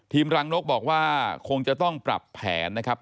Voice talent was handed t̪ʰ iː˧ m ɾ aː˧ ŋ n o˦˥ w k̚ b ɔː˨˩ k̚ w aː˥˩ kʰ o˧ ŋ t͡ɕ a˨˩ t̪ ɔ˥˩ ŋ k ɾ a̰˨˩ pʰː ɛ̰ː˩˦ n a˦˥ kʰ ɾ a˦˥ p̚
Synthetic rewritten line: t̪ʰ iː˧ m ɾ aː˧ ŋ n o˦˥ k̚ b ɔː˨˩ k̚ w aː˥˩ kʰ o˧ ŋ t͡ɕ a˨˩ t̪ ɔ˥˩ ŋ p ɾ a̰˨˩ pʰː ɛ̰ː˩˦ nː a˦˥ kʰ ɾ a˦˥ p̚

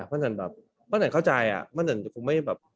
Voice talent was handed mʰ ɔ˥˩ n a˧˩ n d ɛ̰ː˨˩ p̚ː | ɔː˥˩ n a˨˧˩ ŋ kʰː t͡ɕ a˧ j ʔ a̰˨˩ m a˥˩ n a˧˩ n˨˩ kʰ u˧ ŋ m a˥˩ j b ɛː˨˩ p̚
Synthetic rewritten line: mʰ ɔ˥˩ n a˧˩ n b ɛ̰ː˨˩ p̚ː | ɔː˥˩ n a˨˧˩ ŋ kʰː t͡ɕ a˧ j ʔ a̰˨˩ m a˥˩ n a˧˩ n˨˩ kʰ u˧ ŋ m a˥˩ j b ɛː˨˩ p̚

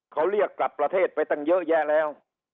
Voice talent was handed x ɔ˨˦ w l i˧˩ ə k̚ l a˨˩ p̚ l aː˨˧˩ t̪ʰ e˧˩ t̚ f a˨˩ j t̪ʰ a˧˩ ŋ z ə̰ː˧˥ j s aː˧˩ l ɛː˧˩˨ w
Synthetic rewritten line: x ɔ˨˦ w l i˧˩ ə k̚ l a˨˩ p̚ l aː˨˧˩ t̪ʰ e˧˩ t̚ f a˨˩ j t̪ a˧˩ ŋ z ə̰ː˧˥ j z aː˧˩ l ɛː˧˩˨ w

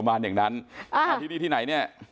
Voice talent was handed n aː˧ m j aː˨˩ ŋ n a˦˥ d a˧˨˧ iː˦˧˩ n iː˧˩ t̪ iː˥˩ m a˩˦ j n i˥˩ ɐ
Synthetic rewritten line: m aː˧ n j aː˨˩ ŋ n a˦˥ n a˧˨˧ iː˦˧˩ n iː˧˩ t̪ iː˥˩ n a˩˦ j n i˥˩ ɐ

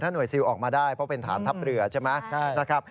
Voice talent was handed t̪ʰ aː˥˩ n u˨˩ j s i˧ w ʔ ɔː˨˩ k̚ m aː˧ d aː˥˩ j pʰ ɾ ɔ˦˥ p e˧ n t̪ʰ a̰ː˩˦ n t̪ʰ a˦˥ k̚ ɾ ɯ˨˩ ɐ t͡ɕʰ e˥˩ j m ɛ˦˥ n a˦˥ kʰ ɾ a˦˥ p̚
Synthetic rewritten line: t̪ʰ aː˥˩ n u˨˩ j s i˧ w ʔ ɔː˨˩ k̚ m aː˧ d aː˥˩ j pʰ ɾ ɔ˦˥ p e˧ n t̪ʰ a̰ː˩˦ n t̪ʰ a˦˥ p̚ ɾ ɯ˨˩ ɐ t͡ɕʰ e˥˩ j m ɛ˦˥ n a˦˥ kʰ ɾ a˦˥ p̚

